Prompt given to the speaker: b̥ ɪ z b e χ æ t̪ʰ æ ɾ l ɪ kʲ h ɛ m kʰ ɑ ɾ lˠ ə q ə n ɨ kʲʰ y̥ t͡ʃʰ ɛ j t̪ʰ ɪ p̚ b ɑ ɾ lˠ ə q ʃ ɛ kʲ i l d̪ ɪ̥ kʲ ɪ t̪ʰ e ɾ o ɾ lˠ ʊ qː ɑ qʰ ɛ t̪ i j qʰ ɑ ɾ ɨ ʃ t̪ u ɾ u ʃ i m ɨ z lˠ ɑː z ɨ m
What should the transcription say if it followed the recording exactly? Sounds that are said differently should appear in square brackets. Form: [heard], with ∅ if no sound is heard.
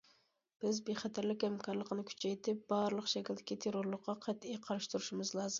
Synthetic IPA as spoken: b̥ ɪ z b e χ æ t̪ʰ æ ɾ l ɪ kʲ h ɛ m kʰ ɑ ɾ lˠ ə q ə n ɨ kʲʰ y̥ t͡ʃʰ ɛ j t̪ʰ ɪ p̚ b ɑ ɾ lˠ ə q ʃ ɛ kʲ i l d̪ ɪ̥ kʲ [i] t̪ʰ e ɾ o ɾ lˠ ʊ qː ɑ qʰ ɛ t̪ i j qʰ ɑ ɾ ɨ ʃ t̪ u ɾ u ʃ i m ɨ z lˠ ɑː z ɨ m